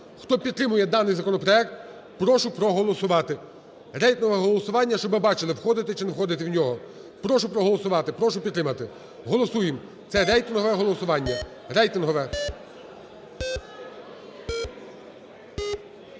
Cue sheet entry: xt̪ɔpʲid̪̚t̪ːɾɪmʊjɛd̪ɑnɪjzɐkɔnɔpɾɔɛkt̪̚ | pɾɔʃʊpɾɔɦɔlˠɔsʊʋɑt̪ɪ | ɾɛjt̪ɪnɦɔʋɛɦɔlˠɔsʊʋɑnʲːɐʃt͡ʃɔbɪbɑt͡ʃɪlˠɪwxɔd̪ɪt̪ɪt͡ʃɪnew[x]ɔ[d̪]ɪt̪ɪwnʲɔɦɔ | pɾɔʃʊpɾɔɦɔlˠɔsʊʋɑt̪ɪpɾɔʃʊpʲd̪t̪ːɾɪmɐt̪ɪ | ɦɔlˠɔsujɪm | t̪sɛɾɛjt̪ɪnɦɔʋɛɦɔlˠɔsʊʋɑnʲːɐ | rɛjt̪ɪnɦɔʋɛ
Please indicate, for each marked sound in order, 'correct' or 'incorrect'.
correct, correct

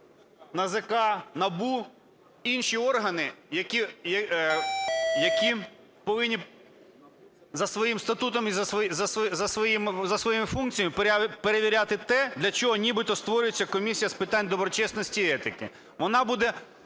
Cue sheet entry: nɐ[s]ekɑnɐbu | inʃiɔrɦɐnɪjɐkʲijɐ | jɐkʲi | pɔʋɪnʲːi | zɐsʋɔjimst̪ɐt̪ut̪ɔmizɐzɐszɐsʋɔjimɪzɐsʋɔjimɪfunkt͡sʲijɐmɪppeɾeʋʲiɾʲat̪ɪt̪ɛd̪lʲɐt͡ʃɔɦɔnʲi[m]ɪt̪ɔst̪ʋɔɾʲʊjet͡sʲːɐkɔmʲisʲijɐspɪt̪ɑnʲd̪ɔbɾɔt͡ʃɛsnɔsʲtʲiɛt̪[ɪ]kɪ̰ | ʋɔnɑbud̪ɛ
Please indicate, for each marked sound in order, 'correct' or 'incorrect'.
incorrect, incorrect, correct

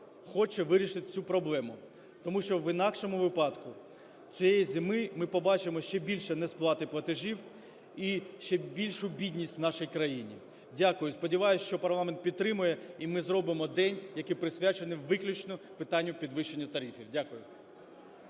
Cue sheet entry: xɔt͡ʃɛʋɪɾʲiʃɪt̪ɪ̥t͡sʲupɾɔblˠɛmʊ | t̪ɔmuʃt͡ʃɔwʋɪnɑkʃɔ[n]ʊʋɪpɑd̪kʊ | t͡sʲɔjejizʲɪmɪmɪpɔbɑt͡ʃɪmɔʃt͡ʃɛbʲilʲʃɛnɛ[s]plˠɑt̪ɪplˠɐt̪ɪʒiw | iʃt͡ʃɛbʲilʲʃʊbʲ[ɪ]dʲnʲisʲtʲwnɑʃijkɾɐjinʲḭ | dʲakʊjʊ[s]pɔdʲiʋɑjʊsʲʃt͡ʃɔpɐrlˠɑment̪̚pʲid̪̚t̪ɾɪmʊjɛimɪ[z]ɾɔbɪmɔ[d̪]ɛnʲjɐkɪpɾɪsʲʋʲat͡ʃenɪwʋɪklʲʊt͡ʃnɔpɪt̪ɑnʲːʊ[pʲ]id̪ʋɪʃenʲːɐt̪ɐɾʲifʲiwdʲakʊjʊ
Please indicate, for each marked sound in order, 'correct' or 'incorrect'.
incorrect, correct, incorrect, correct, correct, correct, correct

